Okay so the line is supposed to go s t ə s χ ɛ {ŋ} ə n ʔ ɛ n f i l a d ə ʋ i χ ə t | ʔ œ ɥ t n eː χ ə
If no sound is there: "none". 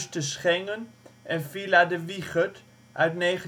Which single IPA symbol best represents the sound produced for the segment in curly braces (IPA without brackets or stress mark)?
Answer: ŋ